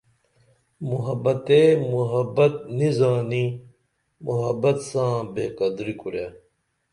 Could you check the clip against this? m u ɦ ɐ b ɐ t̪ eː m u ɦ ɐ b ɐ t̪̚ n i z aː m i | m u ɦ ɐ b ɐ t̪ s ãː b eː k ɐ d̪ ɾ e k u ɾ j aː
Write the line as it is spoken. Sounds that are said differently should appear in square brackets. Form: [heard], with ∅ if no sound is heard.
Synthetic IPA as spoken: m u ɦ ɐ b ɐ t̪ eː m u ɦ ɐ b ɐ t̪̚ n i z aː [n] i | m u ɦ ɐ b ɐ t̪ s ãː b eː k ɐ d̪ ɾ [i] k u ɾ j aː